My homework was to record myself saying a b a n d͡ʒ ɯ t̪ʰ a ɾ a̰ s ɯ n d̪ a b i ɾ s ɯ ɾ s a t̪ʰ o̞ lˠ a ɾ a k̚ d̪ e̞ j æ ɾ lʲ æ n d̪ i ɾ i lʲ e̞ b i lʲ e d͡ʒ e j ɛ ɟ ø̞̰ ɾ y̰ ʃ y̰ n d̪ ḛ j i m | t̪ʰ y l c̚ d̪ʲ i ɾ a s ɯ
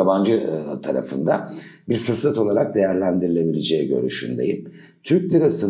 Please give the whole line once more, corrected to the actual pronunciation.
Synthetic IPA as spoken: a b a n d͡ʒ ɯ t̪ʰ a ɾ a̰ f ɯ n d̪ a b i ɾ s ɯ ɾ s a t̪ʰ o̞ lˠ a ɾ a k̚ d̪ e̞ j æ ɾ lʲ æ n d̪ i ɾ i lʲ e̞ b i lʲ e d͡ʒ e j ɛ ɟ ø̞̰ ɾ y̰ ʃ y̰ n d̪ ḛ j i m | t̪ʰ y ɾ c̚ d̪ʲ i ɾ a s ɯ